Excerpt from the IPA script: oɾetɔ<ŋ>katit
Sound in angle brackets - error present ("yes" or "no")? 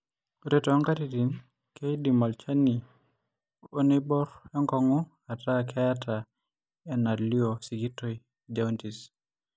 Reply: no